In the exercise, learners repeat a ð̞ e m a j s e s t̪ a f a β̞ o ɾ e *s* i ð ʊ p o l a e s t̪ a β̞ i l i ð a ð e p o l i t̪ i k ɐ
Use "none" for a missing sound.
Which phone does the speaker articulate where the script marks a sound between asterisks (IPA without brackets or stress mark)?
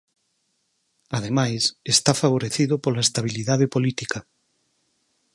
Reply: θ